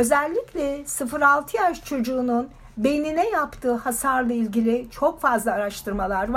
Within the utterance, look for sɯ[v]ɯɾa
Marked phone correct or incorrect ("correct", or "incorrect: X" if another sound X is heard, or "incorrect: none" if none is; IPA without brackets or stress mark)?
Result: incorrect: f